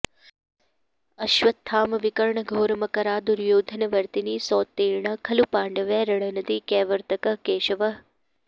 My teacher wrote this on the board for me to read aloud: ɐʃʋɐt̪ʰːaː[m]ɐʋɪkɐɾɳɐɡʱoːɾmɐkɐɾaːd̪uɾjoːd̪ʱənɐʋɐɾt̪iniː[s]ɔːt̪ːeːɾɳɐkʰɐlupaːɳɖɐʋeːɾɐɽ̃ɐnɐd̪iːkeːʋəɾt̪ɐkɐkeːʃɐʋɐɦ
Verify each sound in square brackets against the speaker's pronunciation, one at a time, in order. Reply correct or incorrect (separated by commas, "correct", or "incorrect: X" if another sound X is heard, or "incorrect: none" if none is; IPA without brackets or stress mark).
correct, correct